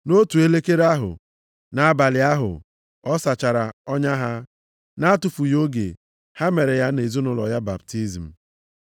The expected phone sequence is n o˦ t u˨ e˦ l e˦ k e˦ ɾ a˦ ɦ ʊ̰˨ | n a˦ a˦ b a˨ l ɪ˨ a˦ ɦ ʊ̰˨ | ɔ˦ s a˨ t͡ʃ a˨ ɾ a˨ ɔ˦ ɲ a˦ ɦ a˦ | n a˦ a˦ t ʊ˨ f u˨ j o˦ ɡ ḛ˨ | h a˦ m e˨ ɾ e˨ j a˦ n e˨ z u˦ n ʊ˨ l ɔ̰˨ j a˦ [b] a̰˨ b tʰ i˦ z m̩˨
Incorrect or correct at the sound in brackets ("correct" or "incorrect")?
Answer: correct